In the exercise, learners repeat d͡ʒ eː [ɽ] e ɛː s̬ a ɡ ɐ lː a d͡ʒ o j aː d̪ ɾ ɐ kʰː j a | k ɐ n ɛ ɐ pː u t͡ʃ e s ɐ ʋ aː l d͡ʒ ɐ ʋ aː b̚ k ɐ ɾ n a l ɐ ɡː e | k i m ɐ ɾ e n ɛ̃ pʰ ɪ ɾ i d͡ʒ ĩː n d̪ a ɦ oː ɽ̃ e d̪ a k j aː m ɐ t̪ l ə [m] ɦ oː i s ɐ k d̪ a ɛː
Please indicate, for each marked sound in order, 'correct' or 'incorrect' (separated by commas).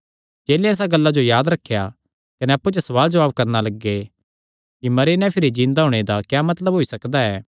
incorrect, incorrect